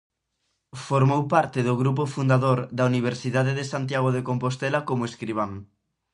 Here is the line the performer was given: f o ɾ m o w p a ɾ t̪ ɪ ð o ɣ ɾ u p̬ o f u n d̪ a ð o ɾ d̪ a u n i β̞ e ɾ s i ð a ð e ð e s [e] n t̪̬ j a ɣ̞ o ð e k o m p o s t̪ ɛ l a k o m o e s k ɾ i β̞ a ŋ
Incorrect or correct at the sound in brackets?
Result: incorrect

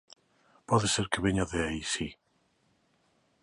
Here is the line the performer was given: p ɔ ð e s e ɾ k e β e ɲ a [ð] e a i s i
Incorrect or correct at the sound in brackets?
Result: correct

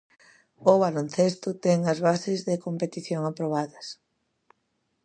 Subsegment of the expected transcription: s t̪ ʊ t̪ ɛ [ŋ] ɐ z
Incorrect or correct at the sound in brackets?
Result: correct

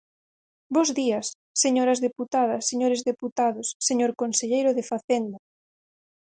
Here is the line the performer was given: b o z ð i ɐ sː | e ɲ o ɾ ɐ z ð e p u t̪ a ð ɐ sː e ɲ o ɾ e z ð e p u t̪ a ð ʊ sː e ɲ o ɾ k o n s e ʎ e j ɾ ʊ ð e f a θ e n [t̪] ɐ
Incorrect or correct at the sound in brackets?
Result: incorrect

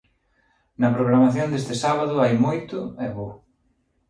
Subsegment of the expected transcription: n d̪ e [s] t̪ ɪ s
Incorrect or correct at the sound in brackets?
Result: correct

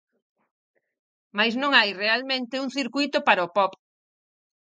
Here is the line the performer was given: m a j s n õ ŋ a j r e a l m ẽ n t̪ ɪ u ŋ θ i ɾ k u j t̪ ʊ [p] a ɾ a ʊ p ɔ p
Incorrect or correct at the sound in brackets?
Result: correct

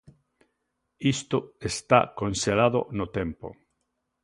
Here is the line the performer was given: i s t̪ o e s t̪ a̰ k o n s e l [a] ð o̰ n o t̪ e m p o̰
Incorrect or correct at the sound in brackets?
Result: correct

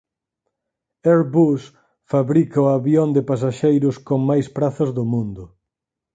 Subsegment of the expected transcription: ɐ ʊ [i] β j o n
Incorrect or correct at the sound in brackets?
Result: incorrect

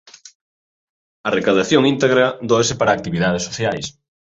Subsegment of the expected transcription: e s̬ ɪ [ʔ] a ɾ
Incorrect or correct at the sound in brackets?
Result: incorrect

